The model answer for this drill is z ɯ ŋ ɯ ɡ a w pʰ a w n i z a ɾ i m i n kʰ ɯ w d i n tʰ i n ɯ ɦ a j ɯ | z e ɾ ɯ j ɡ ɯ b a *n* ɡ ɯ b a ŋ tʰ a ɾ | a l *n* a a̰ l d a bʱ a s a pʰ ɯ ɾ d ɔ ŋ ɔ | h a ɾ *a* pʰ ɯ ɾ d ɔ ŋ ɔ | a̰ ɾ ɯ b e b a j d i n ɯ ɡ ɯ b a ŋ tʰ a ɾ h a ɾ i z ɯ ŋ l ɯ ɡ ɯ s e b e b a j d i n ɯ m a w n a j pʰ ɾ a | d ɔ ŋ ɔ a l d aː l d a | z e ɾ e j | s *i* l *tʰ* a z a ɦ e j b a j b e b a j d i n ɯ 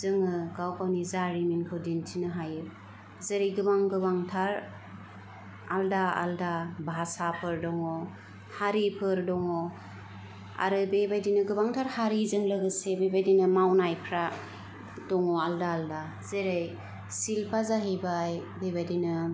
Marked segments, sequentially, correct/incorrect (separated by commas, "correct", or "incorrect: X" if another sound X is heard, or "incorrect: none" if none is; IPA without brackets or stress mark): incorrect: ŋ, incorrect: d, incorrect: i, correct, incorrect: pʰ